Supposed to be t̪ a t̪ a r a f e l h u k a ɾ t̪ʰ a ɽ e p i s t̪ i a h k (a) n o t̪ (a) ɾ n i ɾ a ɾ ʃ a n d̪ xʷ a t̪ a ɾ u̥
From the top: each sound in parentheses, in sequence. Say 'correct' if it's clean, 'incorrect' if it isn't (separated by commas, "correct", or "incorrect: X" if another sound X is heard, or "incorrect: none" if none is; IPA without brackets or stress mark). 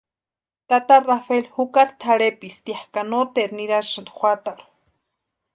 correct, incorrect: e